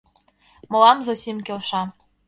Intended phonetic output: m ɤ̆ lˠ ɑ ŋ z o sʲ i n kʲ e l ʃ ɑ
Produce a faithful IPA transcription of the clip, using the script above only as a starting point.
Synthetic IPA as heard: m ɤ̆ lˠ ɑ m z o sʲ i m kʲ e l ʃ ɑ